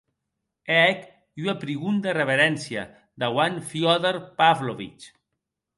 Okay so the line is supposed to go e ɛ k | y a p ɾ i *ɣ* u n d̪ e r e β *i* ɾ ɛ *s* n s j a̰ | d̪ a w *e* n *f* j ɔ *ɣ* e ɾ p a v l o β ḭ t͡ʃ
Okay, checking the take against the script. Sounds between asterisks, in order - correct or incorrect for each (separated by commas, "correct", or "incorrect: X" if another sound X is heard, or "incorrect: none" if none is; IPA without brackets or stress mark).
correct, incorrect: e, incorrect: none, incorrect: a, correct, incorrect: ð